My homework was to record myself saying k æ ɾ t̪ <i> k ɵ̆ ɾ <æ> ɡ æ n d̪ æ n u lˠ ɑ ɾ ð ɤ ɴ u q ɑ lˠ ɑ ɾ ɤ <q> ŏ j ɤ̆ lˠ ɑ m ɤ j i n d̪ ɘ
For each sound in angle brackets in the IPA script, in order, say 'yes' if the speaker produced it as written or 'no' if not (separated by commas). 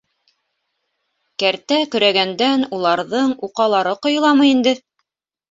no, yes, yes